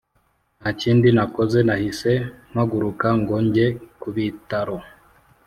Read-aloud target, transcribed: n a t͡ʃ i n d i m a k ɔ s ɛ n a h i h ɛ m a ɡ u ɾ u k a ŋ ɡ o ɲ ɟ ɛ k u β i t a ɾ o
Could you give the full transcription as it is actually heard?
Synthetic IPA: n a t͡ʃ i n d i n a k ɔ z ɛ n a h i s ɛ m a ɡ u ɾ u k a ŋ ɡ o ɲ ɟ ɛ k u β i t a ɾ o